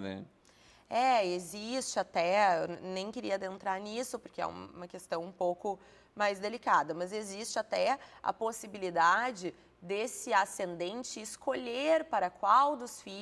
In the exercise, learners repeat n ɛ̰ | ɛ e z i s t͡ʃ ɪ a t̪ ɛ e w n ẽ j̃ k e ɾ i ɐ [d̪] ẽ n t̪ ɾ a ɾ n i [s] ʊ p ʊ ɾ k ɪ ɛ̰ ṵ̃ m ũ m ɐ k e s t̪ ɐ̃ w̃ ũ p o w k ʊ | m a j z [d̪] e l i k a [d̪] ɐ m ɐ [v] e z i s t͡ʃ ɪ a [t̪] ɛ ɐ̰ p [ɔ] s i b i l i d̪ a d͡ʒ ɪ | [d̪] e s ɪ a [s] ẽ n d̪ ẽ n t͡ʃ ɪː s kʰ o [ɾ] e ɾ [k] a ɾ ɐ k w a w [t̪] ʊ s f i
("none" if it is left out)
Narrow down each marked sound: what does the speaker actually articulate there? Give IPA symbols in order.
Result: d̪, s, d̪, d̪, z, t̪, o, d̪, s, ʎ, p, d̪

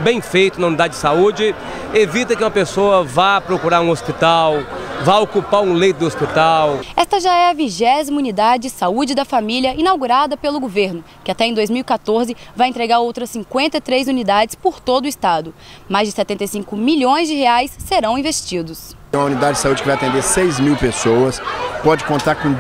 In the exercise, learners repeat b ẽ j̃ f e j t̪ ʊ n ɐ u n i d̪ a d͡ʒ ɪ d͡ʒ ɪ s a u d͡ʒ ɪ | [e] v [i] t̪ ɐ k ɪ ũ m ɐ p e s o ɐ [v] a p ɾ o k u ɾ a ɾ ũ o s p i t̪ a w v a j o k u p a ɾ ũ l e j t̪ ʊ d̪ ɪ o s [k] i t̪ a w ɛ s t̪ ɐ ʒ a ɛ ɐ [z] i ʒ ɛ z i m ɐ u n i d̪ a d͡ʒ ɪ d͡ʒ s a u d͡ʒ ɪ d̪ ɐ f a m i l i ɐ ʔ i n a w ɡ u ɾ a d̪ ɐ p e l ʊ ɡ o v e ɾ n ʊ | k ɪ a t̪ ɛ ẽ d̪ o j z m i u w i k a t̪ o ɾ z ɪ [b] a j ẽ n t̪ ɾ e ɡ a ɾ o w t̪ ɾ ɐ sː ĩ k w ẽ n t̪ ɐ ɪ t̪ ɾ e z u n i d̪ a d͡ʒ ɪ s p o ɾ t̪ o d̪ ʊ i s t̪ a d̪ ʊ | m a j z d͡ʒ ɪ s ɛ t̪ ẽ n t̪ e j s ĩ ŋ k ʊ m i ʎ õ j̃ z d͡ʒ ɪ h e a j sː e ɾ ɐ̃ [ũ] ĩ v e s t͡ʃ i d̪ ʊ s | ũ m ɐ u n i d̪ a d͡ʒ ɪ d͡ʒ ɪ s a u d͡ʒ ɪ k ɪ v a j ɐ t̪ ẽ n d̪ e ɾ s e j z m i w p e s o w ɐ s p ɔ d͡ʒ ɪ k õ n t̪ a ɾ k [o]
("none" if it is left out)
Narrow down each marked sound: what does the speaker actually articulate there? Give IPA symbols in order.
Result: e, i, v, p, v, v, w̃, õ

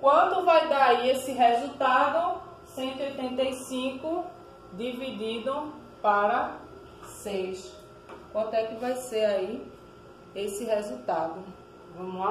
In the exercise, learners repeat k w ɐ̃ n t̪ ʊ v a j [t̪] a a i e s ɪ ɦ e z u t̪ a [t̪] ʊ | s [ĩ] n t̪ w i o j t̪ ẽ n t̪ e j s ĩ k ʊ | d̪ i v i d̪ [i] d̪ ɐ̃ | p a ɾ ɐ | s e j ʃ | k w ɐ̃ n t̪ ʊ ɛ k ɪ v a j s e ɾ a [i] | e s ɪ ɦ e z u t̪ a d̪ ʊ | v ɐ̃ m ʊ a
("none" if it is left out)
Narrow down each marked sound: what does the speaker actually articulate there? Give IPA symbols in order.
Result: d̪, d̪, ẽ, i, i

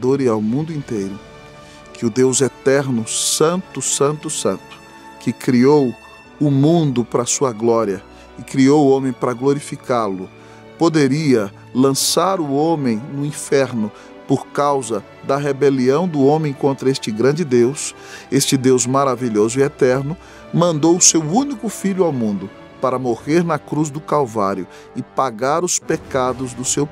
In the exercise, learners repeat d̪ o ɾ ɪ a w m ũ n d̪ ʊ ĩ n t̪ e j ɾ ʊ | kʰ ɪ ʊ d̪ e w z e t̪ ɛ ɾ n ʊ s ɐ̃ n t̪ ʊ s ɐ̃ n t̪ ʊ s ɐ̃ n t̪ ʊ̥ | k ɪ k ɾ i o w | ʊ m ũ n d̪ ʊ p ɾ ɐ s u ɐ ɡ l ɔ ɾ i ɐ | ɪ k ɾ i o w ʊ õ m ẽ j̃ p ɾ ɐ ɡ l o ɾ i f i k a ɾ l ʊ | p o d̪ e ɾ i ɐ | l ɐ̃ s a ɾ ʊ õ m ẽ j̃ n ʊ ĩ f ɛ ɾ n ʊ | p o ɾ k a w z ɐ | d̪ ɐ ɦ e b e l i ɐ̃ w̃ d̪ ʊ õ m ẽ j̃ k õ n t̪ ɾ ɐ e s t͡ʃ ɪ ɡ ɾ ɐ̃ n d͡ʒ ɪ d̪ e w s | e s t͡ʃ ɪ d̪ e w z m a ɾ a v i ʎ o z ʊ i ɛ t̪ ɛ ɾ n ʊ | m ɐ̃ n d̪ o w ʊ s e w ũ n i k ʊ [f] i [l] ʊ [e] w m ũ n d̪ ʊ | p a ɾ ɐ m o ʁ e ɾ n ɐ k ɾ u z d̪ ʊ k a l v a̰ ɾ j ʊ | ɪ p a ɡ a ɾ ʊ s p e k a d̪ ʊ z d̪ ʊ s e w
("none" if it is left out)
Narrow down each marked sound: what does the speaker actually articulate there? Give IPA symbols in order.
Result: f, ʎ, a

